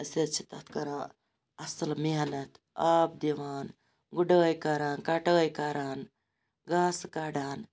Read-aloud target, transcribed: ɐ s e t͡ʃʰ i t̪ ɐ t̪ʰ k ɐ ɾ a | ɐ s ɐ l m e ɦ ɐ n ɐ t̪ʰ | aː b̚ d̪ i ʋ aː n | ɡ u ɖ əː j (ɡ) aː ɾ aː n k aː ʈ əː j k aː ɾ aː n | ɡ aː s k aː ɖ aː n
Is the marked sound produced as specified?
no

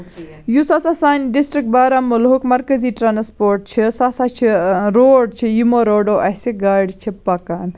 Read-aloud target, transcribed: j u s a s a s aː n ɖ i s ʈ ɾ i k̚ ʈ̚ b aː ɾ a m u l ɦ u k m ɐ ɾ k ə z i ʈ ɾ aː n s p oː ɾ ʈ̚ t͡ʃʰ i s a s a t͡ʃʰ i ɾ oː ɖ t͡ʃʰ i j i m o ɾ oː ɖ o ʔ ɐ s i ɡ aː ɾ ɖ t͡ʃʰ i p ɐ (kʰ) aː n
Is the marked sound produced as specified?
no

